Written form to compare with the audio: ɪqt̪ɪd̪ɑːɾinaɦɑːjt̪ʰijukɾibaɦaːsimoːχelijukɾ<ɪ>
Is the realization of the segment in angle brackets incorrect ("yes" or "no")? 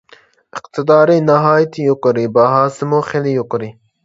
yes